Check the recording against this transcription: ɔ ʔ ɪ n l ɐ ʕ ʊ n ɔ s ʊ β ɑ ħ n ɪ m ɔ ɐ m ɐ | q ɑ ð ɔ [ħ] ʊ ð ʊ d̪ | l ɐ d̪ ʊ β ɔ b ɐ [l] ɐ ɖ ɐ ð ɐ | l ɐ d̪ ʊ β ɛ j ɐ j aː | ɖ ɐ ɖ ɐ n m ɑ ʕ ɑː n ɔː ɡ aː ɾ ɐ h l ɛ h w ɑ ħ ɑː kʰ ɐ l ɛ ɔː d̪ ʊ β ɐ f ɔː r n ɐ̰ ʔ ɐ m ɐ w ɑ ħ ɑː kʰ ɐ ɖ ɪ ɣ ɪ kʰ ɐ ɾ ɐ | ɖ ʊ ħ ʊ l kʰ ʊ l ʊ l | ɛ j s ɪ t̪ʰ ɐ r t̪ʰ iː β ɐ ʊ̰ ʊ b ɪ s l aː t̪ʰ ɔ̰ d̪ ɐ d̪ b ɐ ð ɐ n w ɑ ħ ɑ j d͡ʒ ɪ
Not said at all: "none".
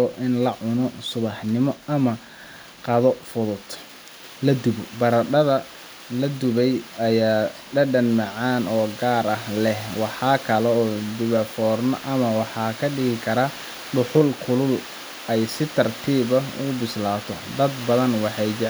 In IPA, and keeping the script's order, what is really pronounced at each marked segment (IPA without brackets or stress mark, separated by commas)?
f, ɾ